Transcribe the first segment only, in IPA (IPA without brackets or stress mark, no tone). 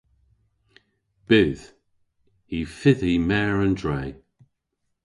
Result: b̥